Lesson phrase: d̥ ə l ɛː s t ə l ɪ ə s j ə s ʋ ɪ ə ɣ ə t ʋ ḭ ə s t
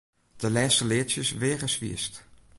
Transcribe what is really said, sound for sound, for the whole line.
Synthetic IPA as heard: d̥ ə l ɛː s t ə l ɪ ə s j ə s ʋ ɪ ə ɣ ə s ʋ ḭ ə s t